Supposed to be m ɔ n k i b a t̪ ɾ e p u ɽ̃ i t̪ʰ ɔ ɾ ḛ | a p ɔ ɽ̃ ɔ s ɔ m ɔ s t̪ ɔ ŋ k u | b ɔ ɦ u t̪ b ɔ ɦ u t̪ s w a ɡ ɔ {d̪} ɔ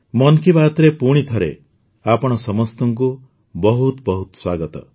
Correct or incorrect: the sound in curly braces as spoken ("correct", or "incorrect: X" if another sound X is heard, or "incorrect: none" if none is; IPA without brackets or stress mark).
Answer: incorrect: t̪